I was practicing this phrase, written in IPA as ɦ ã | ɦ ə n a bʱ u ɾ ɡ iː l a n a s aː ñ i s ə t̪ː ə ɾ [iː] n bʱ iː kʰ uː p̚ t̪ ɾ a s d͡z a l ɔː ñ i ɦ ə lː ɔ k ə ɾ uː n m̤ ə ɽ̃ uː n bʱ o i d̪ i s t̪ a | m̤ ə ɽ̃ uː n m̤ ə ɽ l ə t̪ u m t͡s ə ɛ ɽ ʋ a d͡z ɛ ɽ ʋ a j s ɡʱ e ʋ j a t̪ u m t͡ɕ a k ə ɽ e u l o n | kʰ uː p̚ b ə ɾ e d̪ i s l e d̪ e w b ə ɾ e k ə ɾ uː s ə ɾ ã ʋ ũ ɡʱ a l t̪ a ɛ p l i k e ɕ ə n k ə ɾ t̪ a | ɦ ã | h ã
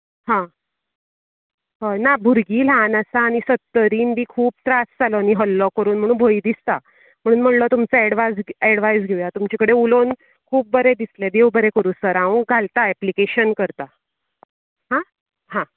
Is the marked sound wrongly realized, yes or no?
no